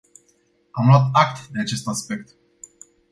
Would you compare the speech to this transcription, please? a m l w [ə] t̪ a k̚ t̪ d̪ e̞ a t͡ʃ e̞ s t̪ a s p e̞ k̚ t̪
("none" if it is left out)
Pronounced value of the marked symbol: a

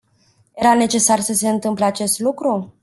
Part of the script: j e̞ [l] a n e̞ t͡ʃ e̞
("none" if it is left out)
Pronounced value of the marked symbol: ɾ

